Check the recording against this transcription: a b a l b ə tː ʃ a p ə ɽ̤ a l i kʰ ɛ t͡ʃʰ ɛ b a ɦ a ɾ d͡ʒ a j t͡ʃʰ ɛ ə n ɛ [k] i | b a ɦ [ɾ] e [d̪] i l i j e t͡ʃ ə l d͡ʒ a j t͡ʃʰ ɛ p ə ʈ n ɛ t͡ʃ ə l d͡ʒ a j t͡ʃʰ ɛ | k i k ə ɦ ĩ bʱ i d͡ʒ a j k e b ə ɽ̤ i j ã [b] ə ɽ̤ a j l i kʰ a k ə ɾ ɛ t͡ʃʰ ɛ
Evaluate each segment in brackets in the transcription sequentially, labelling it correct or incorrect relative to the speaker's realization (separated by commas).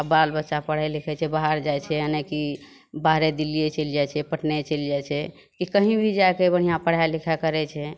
correct, correct, correct, incorrect